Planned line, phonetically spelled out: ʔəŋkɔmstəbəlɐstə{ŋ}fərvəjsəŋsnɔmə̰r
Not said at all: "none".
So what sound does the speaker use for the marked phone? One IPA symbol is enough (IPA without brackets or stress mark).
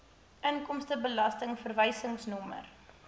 ŋ